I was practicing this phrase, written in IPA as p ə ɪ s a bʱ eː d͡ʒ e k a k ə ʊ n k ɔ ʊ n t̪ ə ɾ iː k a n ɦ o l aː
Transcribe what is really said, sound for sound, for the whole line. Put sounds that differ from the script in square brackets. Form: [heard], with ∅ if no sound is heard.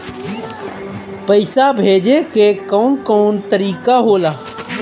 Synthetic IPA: p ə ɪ s a bʱ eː d͡ʒ e k [e] k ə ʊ n k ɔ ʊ n t̪ ə ɾ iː k a [∅] ɦ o l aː